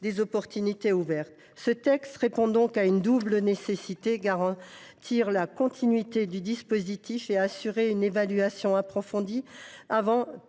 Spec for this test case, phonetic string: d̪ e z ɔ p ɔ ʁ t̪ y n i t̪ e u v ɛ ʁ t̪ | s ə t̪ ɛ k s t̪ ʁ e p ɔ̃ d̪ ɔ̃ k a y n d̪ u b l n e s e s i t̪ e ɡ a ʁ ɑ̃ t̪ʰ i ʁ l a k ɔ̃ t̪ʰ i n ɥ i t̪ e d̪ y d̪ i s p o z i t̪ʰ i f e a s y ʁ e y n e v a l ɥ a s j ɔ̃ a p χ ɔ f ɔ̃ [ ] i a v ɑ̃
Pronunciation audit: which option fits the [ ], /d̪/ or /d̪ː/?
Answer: d̪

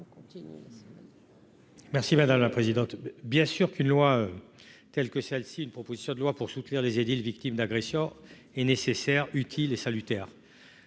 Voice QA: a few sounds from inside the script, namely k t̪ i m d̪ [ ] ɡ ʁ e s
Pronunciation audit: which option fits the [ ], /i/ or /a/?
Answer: a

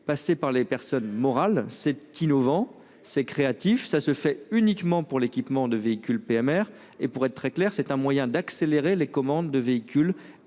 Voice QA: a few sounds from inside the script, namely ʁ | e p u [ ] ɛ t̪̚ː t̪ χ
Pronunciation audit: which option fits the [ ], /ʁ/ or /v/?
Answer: ʁ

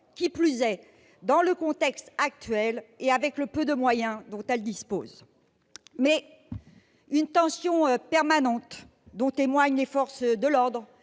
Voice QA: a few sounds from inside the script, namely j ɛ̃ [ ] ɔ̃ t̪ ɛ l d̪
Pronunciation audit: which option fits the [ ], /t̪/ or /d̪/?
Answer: d̪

